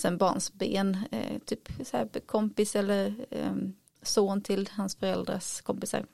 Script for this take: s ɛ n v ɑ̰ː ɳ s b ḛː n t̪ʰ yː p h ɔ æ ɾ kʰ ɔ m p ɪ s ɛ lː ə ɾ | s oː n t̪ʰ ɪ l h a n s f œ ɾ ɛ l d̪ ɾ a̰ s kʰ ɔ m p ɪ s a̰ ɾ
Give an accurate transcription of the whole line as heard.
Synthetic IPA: s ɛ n b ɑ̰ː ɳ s b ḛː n t̪ʰ yː p s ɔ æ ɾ kʰ ɔ m p ɪ s ɛ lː ə ɾ | s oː n t̪ʰ ɪ l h a n s f œ ɾ ɛ l d̪ ɾ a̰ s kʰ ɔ m p ɪ s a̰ ɾ